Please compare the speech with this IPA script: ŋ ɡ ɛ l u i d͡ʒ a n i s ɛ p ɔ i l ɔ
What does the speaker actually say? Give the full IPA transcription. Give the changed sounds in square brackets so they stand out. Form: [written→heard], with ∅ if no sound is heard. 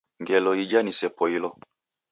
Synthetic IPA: ŋ ɡ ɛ l [u→ɔ] i d͡ʒ a n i s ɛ p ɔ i l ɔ